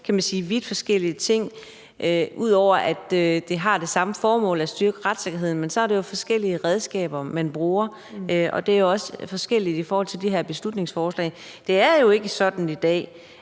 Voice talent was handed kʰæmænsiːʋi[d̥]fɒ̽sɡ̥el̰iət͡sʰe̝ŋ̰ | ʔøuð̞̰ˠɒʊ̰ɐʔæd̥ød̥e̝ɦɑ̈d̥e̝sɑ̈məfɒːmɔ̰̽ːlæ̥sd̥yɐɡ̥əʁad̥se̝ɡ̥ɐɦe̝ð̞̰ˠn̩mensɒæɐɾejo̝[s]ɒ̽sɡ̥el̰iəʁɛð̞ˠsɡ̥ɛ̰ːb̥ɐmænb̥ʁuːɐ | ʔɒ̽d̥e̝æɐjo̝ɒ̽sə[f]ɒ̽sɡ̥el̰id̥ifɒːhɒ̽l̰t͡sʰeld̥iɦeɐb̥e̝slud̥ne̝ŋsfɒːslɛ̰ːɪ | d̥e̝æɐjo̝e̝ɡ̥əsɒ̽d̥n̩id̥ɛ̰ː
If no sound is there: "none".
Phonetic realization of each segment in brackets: d̥, f, f

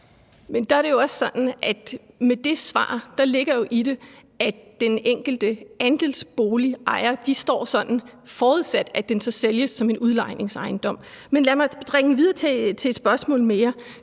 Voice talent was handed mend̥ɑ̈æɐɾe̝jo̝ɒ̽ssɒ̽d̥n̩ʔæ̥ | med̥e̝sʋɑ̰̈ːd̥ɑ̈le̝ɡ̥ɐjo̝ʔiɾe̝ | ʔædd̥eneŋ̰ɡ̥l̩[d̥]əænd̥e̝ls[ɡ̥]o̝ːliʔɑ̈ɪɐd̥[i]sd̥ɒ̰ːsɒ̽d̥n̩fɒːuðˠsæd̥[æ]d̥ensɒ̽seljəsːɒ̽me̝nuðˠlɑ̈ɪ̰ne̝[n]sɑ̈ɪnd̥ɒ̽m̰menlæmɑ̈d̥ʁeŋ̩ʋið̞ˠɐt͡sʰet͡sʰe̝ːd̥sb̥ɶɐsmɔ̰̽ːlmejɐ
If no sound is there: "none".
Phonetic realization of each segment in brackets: d̥, b̥, i, æ, ŋ

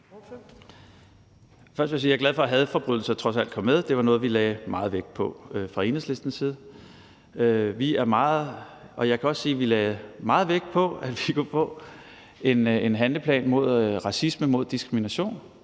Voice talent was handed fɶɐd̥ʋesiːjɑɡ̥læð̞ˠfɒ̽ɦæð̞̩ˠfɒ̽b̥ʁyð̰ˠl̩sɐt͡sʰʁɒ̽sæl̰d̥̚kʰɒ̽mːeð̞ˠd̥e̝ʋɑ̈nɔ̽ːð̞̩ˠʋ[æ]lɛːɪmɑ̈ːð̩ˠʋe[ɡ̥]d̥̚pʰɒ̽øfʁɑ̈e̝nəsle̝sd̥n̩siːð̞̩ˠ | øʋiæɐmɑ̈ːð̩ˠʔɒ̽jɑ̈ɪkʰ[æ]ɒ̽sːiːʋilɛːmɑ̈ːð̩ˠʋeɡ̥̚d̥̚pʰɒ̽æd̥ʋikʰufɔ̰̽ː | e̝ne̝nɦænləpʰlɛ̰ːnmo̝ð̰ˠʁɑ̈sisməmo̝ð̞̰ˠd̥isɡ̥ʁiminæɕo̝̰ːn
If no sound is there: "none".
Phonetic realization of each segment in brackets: i, ɡ̥, æ

